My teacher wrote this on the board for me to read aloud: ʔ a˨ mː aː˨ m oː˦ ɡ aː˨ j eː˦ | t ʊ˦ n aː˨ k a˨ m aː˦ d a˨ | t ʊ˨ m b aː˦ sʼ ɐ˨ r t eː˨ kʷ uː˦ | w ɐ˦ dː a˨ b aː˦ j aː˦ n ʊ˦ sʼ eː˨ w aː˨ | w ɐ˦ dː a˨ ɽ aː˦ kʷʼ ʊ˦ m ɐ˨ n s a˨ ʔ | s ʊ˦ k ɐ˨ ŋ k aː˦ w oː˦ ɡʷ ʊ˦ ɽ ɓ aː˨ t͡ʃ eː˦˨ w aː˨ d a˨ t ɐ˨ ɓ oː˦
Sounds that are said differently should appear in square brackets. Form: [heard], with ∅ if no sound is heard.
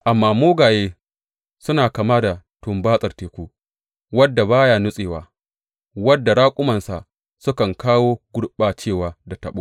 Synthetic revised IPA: ʔ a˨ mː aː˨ m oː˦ ɡ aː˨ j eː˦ | [s] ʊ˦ n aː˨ k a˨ m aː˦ d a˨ | t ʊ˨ m b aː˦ sʼ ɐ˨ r t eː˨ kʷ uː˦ | w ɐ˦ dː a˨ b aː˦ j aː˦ n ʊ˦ sʼ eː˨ w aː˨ | w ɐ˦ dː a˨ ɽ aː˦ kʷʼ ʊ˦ m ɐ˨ n s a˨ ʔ | s ʊ˦ k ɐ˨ ŋ k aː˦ w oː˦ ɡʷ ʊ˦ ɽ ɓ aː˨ t͡ʃ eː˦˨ w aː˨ d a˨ t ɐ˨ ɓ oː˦

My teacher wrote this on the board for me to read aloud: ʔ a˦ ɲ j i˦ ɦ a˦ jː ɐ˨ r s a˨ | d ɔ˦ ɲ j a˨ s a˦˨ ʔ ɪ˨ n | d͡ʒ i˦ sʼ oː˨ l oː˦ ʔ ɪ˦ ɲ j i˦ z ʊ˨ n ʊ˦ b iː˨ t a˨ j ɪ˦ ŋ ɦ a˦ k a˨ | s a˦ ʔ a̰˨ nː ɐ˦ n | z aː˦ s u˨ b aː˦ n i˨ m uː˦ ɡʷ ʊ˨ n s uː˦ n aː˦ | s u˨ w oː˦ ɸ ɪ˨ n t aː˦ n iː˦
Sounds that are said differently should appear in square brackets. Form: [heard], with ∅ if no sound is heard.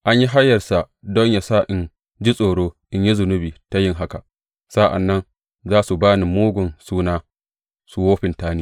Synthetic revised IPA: ʔ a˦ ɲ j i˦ ɦ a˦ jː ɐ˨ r s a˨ | d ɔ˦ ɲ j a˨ s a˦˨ ʔ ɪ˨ n | d͡ʒ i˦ sʼ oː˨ [ɽ] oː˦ ʔ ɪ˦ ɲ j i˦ z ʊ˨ n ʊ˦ b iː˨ t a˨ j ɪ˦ ŋ ɦ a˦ k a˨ | s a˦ ʔ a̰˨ nː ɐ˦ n | z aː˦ s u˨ b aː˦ n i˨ m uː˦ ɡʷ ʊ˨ n s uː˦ n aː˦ | s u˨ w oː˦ ɸ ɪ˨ n t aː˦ n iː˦

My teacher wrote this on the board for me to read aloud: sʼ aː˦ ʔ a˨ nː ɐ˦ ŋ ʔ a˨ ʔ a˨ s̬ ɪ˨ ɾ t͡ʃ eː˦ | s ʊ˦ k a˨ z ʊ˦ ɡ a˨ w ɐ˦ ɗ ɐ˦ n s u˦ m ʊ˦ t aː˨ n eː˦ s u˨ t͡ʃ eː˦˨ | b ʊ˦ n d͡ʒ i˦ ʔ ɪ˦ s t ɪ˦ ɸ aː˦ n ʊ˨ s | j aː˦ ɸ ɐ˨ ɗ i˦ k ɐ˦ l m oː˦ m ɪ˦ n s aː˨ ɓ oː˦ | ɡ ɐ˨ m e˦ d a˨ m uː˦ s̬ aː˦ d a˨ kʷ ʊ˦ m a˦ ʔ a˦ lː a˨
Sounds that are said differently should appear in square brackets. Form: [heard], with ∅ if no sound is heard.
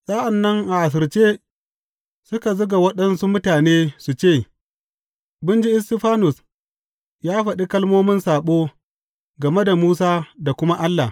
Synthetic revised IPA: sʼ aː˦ ʔ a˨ nː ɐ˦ ŋ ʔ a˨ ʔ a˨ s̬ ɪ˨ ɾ t͡ʃ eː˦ | s ʊ˦ k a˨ z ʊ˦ ɡ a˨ w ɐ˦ ɗ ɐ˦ n s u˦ m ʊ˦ t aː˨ n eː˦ s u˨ t͡ʃ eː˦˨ | b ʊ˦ n d͡ʒ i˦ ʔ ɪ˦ s t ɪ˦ ɸ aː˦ n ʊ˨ s | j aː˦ ɸ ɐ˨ ɗ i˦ k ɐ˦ l m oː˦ m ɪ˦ n s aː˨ ɓ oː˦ | ɡ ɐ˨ m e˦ d a˨ m uː˦ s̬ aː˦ d a˨ kʷ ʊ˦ m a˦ ʔ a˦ lː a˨

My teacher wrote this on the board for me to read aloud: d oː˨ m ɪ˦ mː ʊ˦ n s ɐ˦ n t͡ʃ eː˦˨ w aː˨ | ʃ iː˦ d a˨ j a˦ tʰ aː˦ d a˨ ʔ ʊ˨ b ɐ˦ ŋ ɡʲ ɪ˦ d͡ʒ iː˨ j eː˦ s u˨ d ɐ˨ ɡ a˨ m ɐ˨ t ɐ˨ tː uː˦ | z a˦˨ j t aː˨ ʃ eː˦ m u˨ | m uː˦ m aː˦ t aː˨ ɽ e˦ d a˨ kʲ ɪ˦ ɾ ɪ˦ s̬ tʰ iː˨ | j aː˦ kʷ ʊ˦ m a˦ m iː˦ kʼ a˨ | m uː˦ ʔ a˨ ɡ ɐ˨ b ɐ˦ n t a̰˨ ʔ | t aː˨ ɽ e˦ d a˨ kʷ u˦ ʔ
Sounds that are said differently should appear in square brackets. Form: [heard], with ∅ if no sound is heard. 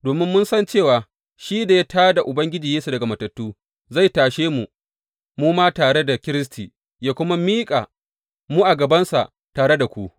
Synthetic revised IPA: d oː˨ m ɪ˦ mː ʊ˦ n s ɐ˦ n t͡ʃ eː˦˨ w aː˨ | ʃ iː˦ d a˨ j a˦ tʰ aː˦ d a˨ ʔ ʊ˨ b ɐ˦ ŋ ɡʲ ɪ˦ d͡ʒ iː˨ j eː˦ s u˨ d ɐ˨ ɡ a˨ m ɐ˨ t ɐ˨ tː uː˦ | z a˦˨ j t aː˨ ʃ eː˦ m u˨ | m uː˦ m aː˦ t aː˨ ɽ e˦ d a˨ kʲ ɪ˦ ɾ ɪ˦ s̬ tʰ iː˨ | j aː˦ kʷ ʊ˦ m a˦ m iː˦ kʼ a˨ | m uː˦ ʔ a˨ ɡ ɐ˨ b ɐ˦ n [s] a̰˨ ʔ | t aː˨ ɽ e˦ d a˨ kʷ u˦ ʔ

